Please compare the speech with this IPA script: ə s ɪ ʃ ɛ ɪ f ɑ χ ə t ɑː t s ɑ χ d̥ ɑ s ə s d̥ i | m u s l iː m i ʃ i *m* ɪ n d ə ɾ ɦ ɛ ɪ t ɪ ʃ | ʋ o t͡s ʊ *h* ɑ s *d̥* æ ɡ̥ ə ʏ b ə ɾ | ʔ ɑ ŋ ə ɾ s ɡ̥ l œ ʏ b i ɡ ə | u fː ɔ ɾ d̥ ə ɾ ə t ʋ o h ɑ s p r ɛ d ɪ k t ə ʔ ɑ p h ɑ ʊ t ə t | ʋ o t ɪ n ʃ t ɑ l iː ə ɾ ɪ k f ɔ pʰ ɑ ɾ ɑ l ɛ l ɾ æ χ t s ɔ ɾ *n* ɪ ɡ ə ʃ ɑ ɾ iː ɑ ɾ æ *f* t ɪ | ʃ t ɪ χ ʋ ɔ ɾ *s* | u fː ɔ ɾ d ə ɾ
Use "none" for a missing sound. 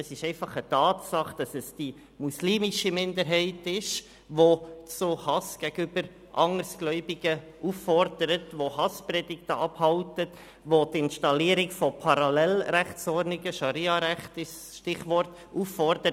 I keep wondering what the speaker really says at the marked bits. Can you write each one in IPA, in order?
m, h, ɡ̥, n, χ, t

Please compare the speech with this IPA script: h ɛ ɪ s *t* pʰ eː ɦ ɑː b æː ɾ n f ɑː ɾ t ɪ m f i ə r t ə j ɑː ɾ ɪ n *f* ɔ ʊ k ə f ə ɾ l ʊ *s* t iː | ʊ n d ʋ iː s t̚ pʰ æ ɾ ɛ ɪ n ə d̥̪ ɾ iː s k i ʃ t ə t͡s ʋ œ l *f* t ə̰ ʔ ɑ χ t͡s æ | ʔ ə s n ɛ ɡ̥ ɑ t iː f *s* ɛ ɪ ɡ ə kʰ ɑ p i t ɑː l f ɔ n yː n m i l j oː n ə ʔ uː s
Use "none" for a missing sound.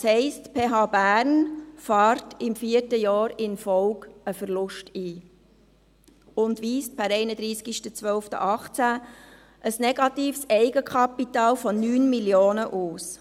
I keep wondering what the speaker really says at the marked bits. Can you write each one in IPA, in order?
t, f, ʃ, f, s

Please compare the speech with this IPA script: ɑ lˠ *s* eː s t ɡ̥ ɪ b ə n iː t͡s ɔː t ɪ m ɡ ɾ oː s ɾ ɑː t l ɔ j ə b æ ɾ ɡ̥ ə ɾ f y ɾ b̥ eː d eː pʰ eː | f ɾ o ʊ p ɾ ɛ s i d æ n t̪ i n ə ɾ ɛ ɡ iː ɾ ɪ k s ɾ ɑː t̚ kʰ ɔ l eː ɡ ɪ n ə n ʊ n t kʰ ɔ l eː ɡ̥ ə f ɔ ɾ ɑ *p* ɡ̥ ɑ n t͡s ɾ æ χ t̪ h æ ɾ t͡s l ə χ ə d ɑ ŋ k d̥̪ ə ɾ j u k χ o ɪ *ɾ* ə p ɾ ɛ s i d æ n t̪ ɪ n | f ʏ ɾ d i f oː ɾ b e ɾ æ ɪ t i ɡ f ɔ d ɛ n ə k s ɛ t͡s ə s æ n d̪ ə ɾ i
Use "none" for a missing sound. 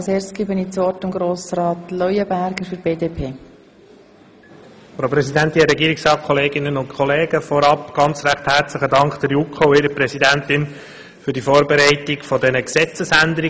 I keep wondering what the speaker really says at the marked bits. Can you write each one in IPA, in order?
s, p, ɾ

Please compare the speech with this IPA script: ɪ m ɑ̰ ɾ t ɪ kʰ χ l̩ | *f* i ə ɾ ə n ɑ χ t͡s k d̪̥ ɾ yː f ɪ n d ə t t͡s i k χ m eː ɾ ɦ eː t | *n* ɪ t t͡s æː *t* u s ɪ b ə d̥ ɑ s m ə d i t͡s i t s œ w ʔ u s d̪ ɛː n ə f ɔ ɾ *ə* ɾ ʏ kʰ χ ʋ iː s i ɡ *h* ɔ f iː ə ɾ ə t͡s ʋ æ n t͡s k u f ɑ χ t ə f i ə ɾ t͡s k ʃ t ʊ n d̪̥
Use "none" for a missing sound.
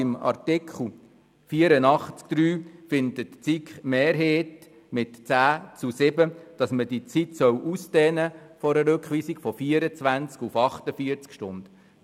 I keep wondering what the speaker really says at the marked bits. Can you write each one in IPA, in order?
f, m, t͡s, ə, f

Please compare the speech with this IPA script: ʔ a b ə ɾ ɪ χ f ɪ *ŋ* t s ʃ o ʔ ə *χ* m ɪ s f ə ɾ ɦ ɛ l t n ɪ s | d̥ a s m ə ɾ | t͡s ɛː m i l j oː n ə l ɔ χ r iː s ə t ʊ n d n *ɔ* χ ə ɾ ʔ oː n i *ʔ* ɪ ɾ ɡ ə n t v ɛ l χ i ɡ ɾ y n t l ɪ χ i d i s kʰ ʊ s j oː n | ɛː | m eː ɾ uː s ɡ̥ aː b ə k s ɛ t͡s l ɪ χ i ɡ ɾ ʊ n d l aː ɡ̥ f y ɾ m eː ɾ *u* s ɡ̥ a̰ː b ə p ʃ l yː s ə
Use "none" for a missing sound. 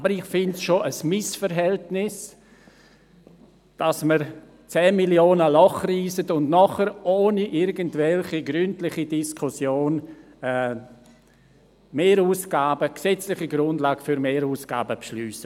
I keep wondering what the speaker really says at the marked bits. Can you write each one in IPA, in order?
n, s, ɔ, ʔ, uː

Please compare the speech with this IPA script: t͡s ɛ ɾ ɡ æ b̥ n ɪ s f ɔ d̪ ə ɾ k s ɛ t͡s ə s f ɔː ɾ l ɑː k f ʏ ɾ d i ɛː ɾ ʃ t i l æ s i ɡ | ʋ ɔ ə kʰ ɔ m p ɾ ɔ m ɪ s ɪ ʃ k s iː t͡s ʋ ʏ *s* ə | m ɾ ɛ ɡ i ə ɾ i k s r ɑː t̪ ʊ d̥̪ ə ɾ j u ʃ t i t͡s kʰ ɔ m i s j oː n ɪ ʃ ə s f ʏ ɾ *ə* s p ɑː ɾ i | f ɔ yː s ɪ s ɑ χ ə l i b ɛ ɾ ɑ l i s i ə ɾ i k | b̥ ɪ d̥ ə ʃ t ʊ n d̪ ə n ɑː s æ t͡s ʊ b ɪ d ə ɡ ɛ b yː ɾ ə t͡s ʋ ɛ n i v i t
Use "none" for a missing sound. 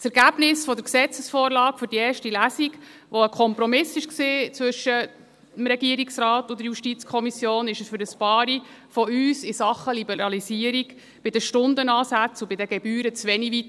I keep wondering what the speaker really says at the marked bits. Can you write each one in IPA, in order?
ʃ, ə

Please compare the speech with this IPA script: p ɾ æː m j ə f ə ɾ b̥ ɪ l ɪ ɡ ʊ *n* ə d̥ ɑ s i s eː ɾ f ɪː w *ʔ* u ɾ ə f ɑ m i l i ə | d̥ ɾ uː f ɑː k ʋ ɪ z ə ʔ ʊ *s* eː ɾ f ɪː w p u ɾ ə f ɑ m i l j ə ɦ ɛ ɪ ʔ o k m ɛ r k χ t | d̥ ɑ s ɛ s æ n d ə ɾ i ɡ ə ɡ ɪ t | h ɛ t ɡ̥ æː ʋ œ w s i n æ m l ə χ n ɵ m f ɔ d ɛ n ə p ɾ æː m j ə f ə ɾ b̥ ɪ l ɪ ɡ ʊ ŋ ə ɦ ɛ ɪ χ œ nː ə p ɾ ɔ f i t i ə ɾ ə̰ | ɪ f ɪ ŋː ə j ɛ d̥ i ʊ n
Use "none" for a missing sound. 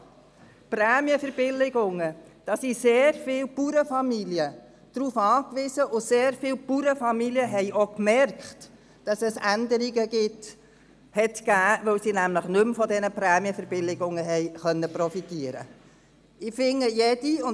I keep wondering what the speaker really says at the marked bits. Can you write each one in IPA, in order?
ŋ, p, s

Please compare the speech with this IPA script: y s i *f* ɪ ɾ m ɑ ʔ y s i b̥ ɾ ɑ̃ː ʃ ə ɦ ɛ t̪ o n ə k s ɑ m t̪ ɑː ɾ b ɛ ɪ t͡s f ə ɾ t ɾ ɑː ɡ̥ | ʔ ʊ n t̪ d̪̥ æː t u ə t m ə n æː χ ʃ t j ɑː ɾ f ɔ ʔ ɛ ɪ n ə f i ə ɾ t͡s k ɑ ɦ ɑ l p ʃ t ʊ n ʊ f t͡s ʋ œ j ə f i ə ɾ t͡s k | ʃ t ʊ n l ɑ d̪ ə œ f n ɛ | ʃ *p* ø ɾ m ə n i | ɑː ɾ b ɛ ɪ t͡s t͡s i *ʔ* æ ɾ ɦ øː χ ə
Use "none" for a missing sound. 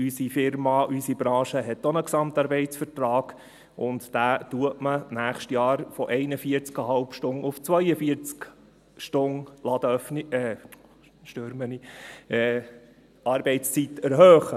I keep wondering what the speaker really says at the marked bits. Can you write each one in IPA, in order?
f, t, t

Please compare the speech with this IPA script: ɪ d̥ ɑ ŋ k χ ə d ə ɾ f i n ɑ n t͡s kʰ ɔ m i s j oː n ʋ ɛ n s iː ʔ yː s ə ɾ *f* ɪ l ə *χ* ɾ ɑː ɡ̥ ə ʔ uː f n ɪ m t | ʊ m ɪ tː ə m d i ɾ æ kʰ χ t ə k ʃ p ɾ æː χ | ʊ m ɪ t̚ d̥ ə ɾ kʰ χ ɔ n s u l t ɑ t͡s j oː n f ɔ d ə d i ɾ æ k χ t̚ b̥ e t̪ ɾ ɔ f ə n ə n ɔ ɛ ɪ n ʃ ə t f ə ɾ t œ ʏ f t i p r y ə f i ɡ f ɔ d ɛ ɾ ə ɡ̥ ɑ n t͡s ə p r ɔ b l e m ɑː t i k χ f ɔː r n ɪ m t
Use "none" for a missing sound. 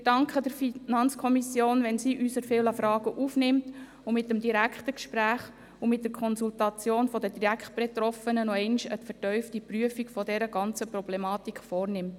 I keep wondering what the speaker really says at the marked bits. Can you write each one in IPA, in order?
f, f

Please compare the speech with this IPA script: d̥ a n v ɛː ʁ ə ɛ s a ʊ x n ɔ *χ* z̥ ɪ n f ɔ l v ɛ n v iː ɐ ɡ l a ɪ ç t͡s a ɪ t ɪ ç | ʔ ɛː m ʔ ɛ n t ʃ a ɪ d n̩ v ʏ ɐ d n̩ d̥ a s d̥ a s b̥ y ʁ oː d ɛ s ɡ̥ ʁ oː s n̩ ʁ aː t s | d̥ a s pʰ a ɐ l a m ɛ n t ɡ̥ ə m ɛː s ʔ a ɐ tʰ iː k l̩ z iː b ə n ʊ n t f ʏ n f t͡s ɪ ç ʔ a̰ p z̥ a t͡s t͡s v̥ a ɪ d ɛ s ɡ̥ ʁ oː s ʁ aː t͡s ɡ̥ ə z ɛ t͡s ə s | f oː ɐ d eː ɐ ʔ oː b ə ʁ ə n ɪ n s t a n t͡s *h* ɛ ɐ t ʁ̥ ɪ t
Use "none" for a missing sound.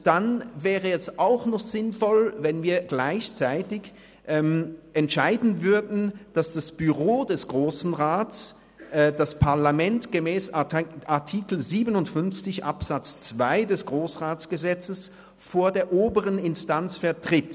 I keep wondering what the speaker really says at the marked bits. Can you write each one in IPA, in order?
χ, f

